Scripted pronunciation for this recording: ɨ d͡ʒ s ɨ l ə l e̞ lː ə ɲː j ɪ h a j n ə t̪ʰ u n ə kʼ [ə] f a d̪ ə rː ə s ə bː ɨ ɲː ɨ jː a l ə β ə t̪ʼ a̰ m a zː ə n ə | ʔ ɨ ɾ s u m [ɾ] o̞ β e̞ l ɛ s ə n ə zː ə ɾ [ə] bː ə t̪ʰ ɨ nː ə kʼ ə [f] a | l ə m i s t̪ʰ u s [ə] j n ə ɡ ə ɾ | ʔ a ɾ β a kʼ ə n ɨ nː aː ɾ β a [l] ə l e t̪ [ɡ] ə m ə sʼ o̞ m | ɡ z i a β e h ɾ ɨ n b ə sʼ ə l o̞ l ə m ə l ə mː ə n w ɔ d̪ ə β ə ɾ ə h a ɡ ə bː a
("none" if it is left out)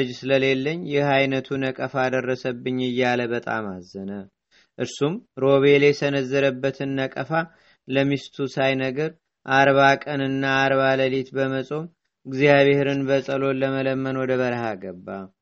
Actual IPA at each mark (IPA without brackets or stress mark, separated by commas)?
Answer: ə, ɾ, ə, f, a, l, b